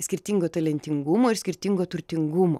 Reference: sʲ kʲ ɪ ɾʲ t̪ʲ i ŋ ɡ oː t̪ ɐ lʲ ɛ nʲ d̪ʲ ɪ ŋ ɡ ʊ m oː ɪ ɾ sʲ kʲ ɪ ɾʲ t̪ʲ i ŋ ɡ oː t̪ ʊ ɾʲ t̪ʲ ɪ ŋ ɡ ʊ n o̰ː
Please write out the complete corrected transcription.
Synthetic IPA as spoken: sʲ kʲ ɪ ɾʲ t̪ʲ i ŋ ɡ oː t̪ ɐ lʲ ɛ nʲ t̪ʲ ɪ ŋ ɡ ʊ m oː ɪ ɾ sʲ kʲ ɪ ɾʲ t̪ʲ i ŋ ɡ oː t̪ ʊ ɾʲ t̪ʲ ɪ ŋ ɡ ʊ m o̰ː